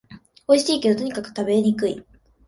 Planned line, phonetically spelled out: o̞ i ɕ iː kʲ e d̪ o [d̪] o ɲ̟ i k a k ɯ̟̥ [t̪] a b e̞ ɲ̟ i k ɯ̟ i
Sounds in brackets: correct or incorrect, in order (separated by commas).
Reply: incorrect, correct